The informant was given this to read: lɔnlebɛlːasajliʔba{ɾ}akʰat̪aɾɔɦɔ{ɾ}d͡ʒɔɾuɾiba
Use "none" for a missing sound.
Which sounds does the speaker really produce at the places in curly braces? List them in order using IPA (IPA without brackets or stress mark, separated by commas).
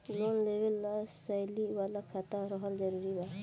l, l